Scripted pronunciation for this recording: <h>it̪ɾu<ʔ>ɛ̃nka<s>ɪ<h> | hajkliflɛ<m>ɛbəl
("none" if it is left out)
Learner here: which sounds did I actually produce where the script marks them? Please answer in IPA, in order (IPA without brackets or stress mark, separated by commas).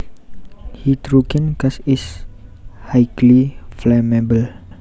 h, k, s, s, m